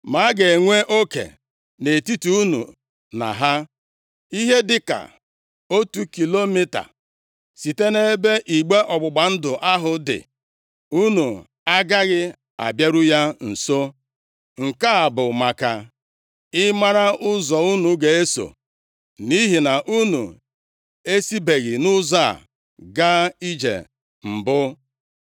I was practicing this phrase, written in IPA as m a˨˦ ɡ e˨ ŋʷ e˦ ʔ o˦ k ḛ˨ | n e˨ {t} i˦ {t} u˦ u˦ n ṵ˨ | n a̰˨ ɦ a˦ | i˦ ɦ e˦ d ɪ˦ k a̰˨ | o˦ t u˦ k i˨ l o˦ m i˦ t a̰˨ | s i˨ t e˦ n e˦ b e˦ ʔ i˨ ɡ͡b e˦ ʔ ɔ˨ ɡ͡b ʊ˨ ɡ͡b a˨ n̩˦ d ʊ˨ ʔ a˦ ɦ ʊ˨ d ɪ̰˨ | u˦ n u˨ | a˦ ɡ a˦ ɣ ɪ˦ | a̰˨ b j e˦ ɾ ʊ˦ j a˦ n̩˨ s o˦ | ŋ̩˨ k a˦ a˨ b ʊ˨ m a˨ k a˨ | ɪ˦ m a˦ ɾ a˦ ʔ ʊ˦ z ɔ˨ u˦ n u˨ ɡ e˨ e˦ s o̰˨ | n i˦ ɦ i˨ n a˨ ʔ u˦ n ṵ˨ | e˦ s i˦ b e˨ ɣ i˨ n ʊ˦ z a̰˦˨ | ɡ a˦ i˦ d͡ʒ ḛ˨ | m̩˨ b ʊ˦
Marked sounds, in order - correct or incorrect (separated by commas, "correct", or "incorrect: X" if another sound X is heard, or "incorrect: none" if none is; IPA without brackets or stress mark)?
correct, correct